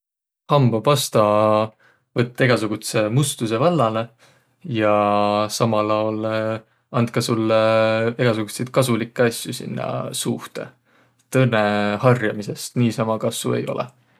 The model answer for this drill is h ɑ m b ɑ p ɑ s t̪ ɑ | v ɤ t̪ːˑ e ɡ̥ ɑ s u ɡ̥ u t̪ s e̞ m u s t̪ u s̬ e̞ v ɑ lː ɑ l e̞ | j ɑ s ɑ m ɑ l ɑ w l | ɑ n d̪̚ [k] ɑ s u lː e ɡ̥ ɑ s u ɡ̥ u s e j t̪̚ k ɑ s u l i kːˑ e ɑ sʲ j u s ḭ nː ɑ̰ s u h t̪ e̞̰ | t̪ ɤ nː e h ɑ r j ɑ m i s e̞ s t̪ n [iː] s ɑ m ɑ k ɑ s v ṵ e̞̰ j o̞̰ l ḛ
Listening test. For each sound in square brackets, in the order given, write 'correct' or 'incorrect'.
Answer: correct, correct

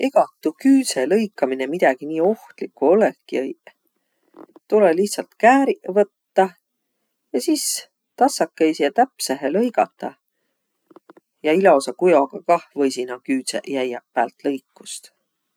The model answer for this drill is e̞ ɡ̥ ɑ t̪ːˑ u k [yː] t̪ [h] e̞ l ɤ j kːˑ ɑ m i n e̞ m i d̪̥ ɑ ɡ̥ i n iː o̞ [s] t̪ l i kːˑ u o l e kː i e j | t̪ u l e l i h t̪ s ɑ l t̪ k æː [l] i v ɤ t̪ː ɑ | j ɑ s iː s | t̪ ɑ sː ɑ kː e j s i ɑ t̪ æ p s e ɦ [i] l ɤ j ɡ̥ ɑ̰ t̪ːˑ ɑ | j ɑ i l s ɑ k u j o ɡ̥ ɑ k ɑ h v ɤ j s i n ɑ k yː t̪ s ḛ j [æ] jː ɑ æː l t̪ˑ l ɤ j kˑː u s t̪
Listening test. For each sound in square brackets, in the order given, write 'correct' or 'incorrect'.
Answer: correct, incorrect: s, incorrect: h, incorrect: ɾ, incorrect: e, correct

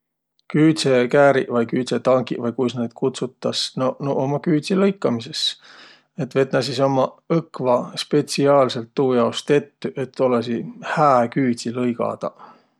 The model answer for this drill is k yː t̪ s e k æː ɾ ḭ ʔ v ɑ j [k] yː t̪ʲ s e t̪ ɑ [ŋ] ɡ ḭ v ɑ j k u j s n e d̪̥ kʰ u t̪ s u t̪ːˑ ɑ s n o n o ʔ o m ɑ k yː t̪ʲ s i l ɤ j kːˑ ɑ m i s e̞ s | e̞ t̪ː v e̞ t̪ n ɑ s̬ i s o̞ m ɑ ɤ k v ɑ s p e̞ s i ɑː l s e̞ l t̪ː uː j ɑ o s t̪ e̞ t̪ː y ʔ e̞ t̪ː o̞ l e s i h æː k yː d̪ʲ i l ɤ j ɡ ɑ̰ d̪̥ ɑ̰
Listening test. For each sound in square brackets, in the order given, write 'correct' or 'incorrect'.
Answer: correct, correct

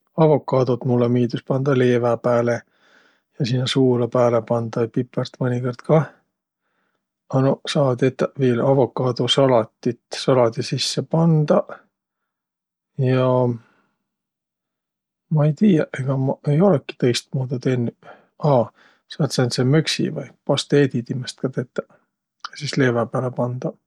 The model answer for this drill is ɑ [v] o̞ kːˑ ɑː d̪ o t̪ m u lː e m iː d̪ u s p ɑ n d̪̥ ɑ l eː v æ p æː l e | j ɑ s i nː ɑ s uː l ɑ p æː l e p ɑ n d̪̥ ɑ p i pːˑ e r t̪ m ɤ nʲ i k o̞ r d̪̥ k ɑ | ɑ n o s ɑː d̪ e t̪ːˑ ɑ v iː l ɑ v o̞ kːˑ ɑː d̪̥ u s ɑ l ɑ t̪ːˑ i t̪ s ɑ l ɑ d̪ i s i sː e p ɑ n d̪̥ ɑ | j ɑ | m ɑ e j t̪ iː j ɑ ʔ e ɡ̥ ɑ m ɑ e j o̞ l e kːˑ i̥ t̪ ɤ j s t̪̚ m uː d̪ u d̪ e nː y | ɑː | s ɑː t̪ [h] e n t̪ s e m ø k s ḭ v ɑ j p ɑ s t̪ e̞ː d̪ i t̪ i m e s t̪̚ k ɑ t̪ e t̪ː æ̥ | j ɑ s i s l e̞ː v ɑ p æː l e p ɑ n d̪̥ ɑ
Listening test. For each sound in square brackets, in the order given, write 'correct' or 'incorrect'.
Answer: correct, incorrect: s

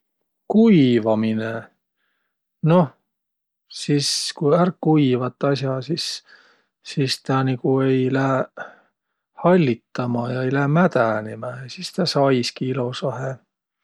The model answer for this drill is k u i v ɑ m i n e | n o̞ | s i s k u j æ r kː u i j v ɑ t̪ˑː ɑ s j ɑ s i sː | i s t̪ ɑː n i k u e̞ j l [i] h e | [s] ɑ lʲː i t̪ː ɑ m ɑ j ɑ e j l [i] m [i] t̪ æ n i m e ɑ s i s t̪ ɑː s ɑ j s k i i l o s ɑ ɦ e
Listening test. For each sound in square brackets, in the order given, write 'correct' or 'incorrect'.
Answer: incorrect: æ, incorrect: h, incorrect: æ, incorrect: æ

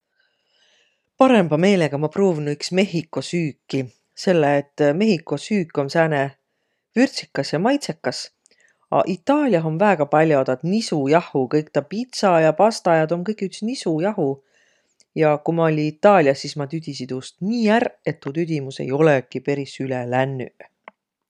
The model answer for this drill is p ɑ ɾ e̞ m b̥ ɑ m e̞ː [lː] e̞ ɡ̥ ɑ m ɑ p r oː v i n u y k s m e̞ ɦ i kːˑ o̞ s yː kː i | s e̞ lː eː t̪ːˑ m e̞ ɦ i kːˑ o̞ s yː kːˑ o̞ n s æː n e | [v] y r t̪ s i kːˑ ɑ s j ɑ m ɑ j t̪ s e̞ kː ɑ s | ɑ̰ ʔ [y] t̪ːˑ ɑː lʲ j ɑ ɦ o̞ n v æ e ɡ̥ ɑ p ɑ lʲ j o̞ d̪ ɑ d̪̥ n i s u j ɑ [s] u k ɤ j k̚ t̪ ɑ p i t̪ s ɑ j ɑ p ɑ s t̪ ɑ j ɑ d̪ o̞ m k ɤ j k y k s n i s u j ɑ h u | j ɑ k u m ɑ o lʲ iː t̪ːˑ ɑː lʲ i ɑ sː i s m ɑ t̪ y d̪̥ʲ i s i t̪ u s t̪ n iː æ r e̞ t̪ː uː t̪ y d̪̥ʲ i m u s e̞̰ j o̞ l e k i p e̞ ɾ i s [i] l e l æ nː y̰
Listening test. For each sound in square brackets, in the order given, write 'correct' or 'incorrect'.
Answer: incorrect: l, correct, incorrect: i, incorrect: h, incorrect: y

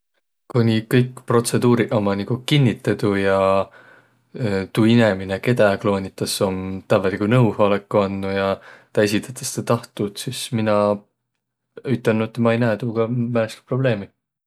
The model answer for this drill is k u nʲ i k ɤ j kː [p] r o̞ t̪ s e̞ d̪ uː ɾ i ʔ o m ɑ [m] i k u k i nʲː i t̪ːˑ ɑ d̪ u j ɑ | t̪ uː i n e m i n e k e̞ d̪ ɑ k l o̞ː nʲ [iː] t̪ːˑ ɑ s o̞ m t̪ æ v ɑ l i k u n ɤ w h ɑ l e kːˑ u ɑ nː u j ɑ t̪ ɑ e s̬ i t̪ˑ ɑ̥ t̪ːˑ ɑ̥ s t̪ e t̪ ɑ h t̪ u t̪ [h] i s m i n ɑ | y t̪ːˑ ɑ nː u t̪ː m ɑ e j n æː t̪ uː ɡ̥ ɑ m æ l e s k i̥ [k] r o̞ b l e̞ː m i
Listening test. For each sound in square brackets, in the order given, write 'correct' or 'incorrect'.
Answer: correct, incorrect: n, incorrect: i, incorrect: s, incorrect: p

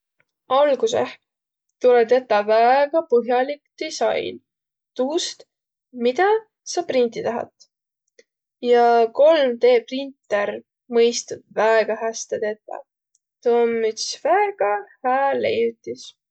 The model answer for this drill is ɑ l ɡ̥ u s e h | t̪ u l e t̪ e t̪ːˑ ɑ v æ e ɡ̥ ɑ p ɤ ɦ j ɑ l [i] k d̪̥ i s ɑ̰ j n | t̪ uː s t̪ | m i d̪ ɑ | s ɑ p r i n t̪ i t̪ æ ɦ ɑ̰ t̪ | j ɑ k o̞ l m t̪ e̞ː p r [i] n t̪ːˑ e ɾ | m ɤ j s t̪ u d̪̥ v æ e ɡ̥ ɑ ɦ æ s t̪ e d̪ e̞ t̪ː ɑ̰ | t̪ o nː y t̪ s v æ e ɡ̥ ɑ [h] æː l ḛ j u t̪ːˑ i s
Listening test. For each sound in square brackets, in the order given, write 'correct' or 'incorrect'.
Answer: correct, correct, correct

